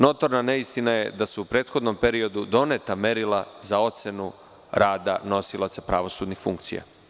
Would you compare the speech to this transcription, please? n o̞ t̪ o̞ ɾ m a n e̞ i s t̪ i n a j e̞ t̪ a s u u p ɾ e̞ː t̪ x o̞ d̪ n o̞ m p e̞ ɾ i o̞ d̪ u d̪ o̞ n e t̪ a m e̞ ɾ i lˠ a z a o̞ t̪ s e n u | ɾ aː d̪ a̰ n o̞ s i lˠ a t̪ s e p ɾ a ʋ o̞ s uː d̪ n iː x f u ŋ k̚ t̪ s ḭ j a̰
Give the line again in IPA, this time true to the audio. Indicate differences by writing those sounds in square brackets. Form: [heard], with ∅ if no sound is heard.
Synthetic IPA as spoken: n o̞ t̪ o̞ ɾ [n] a n e̞ i s t̪ i n a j e̞ [d̪] a s u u p ɾ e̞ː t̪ x o̞ d̪ n o̞ m p e̞ ɾ i o̞ d̪ u d̪ o̞ n e t̪ a m e̞ ɾ i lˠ a z a o̞ t̪ s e n u | ɾ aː d̪ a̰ n o̞ s i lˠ a t̪ s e p ɾ a ʋ o̞ s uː d̪ n [i] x f u ŋ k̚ t̪ s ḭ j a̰